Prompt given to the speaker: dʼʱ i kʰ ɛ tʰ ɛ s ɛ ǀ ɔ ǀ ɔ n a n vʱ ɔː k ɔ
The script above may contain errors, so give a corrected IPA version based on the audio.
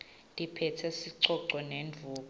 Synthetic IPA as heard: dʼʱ i pʰ ɛ tʰ ɛ s i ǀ ɔ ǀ ɔ n e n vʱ uː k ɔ